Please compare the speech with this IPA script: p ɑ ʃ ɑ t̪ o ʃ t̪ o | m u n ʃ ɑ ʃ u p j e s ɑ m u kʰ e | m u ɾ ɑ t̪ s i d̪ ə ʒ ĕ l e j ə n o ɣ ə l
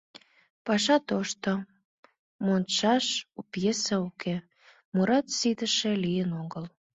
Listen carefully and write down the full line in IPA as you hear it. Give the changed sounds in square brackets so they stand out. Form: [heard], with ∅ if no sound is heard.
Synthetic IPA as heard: p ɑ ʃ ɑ t̪ o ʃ t̪ o | m [o] n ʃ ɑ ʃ u p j e s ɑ [∅] u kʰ e | m u ɾ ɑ t̪ s i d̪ ə [ʃ] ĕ l [i] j ə n o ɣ ə l